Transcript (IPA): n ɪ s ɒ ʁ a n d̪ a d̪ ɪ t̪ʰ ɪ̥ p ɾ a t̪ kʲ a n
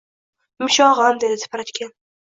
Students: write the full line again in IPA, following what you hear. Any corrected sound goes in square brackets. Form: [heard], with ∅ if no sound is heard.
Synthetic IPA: [m] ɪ [ʃ] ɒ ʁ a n d̪ [e] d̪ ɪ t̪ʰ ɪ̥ p ɾ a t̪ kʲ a n